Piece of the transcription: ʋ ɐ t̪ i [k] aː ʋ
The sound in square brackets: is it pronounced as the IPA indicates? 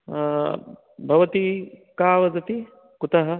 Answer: yes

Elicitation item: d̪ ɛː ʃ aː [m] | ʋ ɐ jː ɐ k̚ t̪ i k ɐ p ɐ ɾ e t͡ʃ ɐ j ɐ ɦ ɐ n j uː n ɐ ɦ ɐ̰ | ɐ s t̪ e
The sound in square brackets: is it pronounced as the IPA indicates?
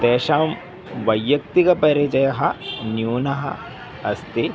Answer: yes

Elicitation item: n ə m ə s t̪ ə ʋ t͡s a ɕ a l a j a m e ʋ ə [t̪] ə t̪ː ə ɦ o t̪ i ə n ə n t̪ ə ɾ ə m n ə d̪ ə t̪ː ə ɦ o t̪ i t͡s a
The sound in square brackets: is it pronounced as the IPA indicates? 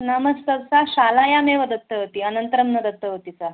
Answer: no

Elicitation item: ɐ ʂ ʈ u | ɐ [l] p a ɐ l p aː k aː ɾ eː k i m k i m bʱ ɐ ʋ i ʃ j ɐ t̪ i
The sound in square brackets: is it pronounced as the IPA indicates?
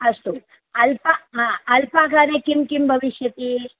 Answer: yes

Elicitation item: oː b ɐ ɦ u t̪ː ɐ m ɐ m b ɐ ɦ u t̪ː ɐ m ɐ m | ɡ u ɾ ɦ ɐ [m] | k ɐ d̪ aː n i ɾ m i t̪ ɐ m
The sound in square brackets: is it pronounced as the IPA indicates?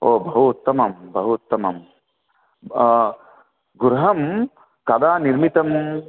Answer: yes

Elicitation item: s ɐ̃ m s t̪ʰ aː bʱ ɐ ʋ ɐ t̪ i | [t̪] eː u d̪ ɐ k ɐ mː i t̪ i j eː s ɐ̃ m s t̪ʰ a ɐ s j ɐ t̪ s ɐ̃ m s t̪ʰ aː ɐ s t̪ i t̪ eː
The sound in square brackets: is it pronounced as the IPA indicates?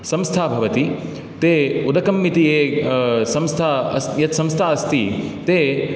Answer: yes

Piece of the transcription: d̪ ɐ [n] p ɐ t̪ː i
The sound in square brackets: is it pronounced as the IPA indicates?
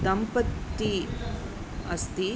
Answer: no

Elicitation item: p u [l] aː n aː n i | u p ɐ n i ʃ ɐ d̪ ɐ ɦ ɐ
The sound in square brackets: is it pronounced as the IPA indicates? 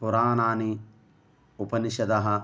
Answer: no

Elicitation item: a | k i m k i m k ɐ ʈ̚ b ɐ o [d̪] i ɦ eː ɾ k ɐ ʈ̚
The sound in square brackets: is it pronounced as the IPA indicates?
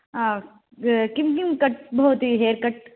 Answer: no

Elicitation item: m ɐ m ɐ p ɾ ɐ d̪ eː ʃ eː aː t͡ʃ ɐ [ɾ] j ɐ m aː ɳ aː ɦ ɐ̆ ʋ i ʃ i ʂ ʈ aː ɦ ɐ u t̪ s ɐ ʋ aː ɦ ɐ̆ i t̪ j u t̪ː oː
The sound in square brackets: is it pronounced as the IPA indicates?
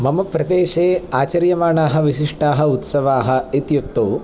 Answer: yes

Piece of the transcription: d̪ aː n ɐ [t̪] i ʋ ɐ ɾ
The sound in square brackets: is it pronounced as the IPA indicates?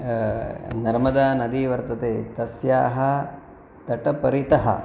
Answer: no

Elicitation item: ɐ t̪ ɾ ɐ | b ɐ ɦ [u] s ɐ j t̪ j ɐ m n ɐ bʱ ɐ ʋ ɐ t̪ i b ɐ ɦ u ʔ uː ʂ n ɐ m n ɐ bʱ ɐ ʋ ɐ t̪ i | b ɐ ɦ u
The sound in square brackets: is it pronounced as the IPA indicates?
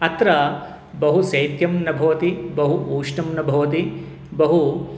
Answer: yes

